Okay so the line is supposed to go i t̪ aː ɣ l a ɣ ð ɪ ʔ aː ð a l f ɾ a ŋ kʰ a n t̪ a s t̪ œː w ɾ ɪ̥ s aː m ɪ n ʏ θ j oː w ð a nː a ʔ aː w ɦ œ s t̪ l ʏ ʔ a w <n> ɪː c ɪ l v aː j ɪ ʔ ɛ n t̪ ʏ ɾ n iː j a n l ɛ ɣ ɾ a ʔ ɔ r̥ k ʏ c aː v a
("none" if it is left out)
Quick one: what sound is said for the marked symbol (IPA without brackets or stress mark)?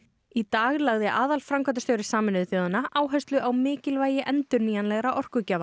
m